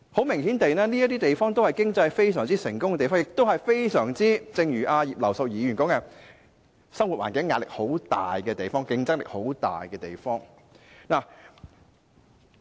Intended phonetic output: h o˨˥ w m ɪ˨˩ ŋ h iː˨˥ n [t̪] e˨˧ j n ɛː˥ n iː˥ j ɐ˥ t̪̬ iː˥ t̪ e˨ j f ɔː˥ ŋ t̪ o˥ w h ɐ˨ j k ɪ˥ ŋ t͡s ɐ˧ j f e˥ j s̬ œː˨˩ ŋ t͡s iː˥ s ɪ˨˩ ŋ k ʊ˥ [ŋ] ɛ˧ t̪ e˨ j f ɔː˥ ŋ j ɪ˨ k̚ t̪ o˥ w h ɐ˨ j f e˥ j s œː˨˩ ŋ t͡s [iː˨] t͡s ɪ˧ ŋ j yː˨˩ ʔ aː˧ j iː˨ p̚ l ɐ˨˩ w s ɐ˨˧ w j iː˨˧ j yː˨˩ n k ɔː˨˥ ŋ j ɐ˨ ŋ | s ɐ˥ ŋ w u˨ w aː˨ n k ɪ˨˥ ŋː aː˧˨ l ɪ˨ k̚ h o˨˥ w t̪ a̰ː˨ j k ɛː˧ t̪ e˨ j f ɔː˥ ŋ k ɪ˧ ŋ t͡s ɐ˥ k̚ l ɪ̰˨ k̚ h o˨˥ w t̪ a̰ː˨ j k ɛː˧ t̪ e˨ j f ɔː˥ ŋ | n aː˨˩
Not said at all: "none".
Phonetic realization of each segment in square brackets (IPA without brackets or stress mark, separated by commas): t̪, ŋ, iː˥